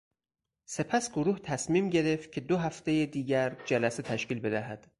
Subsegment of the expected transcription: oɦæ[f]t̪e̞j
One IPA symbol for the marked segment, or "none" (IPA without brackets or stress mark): f